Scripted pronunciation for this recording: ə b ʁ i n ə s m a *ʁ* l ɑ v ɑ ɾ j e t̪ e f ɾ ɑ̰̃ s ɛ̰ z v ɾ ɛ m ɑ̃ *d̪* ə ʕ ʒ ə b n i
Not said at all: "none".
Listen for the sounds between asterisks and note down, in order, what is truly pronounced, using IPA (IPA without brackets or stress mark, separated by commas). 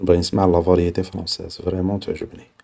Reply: ʕ, t̪